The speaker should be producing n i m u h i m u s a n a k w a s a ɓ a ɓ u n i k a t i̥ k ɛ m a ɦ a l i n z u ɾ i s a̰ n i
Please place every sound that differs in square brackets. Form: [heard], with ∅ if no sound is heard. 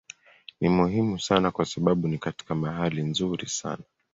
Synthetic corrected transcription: n i m u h i m u s a n a k w a s a ɓ a ɓ u n i k a t i̥ k [a] m a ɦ a l i n z u ɾ i s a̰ n [a]